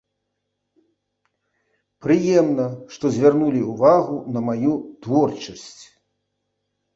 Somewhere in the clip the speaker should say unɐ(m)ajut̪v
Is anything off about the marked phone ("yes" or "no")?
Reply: no